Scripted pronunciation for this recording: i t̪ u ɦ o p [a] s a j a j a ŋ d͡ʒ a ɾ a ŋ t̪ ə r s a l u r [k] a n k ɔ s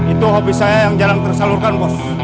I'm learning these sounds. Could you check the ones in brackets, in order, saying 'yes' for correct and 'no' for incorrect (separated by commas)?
no, yes